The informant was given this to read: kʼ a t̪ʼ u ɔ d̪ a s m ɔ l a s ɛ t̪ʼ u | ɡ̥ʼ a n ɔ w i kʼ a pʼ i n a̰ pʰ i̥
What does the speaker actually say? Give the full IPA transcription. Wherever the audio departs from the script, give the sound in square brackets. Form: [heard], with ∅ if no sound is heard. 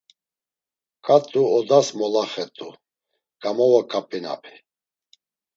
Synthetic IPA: kʼ a t̪ʼ u ɔ d̪ a s m ɔ l a [χ] ɛ t̪ʼ u | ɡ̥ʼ a [m] ɔ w [a] kʼ a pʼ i n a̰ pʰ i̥